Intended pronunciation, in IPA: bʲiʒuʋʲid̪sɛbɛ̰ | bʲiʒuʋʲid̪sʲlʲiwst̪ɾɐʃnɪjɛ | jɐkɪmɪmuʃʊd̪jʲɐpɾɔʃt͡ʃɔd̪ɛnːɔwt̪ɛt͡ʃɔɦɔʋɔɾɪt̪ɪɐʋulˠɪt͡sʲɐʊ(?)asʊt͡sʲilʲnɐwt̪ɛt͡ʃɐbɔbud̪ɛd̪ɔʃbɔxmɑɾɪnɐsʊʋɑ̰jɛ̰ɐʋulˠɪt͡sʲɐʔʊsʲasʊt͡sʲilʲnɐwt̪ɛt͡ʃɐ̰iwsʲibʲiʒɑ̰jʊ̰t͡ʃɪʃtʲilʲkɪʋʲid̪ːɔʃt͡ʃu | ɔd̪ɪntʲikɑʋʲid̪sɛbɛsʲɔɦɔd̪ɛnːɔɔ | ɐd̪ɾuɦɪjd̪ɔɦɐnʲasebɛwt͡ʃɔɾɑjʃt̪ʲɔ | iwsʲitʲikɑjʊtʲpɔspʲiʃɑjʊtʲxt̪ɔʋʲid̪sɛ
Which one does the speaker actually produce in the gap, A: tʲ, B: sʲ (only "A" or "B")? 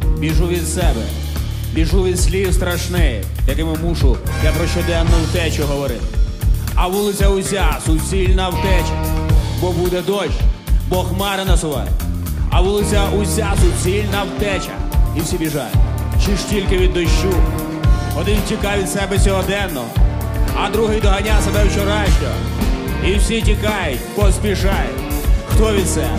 B